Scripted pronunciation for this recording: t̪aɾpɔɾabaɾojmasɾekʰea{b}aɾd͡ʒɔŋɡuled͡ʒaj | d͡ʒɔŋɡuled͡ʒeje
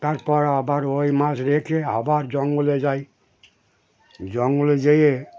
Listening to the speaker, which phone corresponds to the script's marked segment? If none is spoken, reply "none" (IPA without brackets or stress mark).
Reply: b